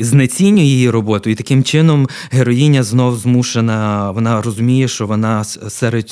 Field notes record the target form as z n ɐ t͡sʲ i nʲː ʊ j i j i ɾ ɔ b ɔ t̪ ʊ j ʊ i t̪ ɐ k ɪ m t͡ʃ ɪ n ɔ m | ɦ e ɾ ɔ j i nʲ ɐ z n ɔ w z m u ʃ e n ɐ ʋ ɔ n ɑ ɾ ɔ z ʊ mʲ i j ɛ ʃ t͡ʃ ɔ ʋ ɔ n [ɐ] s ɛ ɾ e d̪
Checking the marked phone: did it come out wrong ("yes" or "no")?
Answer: yes